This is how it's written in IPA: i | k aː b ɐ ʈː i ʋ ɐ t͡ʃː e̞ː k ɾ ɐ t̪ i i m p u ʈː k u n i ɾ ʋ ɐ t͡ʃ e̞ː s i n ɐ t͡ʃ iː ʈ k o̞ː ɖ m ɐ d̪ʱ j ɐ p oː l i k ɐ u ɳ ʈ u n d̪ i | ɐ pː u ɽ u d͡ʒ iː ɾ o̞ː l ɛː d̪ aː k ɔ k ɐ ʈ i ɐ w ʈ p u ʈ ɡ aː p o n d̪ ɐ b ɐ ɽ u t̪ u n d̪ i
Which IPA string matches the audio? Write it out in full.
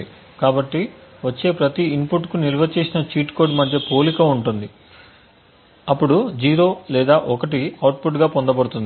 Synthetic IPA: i | k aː b ɐ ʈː i ʋ ɐ t͡ʃː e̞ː p ɾ ɐ t̪ i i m p u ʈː k u n i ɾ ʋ ɐ t͡ʃ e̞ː s i n ɐ t͡ʃ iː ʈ k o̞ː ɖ m ɐ d̪ʱ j ɐ p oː l i k ɐ u ɳ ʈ u n d̪ i | ɐ pː u ɽ u d͡ʒ iː ɾ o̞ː l ɛː d̪ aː ʔ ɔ k ɐ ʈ i ɐ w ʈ p u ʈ ɡ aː p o n d̪ ɐ b ɐ ɽ u t̪ u n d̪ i